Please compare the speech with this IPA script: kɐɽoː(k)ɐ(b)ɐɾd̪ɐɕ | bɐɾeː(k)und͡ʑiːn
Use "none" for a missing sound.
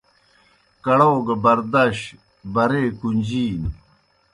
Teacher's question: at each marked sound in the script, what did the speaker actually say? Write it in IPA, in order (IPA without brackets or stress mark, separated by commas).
ɡ, b, k